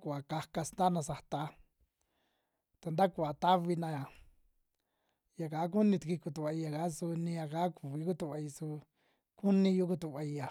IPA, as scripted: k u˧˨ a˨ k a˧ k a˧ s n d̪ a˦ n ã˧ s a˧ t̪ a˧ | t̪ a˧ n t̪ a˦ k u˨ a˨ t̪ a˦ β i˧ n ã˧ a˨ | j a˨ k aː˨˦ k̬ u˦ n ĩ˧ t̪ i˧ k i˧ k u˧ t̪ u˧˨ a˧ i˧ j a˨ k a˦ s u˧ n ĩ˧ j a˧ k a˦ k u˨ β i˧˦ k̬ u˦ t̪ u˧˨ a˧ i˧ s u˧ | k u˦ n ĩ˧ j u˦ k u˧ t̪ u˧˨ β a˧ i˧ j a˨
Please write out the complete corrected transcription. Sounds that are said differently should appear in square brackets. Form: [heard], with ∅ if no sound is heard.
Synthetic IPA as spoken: k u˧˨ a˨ k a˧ k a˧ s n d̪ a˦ n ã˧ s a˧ t̪ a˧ | t̪ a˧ n [d̪] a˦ k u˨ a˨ t̪ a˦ β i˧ n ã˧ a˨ | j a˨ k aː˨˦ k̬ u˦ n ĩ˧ t̪ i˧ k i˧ k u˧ t̪ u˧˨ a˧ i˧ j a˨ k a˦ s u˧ n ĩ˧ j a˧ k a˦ k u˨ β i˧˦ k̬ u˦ t̪ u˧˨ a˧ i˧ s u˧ | k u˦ n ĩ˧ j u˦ k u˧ t̪ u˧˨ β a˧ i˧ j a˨